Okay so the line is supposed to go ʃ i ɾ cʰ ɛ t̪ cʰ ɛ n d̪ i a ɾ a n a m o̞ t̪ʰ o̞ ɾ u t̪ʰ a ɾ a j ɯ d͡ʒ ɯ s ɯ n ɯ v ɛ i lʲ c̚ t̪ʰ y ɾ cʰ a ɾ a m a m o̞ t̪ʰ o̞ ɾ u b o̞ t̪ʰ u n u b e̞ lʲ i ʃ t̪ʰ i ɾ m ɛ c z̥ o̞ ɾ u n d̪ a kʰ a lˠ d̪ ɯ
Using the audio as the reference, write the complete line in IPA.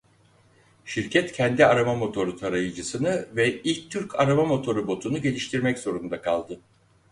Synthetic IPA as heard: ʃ i ɾ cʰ ɛ t̪ cʰ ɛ n d̪ i a ɾ a m a m o̞ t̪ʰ o̞ ɾ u t̪ʰ a ɾ a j ɯ d͡ʒ ɯ s ɯ n ɯ v ɛ i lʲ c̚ t̪ʰ y ɾ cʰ a ɾ a m a m o̞ t̪ʰ o̞ ɾ u b o̞ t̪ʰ u n u ɟ e̞ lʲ i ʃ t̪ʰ i ɾ m ɛ c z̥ o̞ ɾ u n d̪ a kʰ a lˠ d̪ ɯ